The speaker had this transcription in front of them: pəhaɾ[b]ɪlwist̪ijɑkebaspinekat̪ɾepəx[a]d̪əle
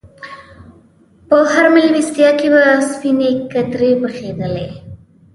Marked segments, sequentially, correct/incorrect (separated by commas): incorrect, incorrect